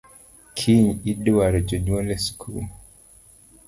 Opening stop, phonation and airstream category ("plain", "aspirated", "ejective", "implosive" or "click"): aspirated